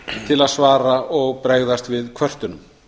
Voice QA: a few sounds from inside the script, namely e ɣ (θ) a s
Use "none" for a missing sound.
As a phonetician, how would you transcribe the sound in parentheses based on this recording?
ð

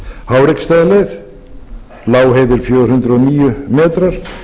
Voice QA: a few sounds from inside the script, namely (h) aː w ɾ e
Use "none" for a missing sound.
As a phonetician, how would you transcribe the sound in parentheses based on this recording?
h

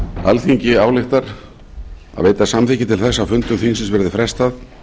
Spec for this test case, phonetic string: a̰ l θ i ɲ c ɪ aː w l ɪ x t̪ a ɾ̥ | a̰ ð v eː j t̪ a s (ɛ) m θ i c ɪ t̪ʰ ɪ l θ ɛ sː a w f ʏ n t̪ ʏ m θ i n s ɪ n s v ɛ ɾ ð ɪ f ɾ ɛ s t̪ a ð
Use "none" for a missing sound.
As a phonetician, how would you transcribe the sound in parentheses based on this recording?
a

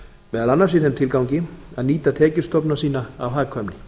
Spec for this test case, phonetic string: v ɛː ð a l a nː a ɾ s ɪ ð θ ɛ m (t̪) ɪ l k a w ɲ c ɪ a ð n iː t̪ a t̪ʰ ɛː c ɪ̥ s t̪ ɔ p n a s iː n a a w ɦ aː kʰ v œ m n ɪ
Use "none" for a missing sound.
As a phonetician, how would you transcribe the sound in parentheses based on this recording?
t̪ʰ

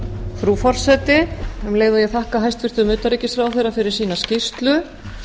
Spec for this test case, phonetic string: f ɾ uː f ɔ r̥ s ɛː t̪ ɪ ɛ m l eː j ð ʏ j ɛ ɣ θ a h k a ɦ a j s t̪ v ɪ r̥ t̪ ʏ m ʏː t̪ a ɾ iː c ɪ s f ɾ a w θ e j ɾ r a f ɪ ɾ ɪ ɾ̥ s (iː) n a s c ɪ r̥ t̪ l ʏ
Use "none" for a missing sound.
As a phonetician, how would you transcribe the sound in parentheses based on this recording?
iː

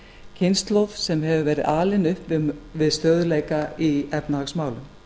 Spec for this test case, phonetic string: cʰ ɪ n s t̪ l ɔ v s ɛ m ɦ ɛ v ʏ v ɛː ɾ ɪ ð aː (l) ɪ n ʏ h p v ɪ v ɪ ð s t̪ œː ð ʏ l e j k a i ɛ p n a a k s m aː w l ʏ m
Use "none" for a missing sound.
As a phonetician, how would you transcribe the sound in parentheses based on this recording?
l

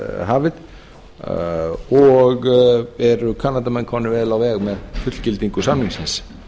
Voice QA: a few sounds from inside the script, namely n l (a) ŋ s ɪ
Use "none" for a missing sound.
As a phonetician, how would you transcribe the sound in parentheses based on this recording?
i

